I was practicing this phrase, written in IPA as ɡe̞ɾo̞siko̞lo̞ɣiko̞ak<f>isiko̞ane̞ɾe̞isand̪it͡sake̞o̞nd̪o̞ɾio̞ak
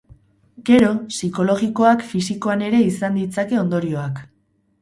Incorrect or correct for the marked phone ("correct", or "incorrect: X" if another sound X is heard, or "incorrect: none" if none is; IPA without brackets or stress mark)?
correct